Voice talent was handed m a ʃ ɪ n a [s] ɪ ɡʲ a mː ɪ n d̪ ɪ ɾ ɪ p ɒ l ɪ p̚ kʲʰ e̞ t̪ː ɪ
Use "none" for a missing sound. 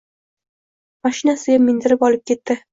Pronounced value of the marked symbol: s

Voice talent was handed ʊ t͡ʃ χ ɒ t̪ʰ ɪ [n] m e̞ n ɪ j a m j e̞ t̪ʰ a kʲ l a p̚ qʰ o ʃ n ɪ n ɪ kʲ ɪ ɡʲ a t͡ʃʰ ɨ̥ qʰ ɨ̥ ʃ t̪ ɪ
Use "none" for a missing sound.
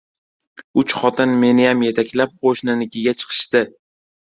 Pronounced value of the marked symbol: n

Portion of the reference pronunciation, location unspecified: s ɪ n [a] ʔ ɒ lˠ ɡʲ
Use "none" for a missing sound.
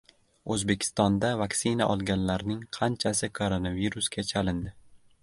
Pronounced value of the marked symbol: a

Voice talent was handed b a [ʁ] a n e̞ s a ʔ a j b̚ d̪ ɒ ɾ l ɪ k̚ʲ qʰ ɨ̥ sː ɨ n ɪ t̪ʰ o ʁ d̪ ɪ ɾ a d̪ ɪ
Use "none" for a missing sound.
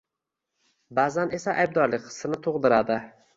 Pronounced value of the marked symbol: z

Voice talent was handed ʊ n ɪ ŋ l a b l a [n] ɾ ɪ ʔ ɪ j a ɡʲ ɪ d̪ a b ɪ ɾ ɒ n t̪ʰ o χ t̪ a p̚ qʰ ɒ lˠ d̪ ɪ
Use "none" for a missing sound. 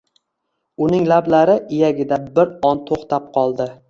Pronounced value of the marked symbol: none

